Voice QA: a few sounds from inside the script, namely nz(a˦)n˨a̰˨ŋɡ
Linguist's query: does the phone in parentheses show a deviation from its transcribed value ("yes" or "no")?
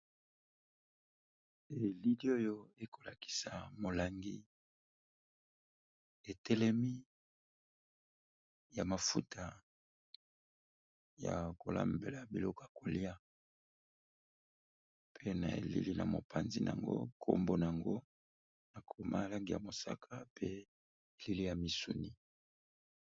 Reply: yes